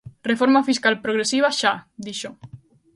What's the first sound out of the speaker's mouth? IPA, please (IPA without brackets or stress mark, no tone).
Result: r